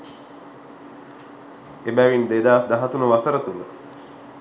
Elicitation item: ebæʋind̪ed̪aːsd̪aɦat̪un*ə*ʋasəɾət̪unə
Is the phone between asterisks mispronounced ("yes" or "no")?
no